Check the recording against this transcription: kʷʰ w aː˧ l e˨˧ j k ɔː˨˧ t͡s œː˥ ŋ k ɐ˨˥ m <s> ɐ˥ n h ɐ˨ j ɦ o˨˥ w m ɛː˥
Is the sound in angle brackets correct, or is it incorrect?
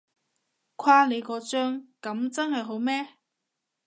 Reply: incorrect